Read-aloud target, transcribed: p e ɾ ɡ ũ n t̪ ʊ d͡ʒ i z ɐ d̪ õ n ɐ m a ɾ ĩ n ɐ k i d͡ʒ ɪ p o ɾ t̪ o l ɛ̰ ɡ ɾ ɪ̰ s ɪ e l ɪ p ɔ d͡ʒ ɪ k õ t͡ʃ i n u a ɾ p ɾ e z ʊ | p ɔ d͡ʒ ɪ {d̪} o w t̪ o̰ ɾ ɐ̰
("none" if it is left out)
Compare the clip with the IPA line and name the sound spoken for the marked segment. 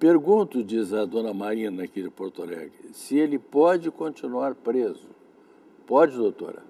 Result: d̪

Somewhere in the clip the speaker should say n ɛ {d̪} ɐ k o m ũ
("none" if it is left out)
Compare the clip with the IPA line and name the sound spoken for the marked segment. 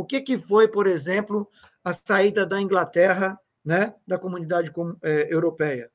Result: d̪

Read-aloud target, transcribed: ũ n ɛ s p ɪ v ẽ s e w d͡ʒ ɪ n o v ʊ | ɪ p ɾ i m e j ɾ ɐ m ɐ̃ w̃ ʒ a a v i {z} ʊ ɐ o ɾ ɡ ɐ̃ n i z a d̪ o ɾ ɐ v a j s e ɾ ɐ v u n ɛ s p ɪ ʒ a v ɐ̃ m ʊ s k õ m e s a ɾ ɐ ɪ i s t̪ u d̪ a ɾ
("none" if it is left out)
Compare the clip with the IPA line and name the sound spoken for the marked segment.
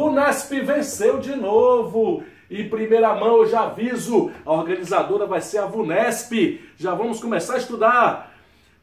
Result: z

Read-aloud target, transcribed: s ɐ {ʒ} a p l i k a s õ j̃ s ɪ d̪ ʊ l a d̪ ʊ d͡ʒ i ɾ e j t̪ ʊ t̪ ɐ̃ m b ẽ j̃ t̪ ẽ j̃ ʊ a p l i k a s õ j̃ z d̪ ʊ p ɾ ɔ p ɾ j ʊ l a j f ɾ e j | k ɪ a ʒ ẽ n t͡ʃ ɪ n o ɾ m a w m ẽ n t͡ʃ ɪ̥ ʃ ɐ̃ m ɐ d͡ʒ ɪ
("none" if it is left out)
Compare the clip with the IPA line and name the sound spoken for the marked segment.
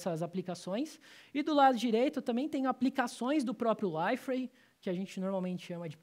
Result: z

